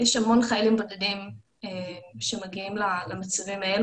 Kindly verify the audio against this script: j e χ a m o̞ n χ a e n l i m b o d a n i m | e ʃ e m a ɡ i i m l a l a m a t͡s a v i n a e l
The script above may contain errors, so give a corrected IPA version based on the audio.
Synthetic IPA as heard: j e ʃ a m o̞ n χ a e l i m b o d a d i m | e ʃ e m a ɡ i i m l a l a m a t͡s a v i m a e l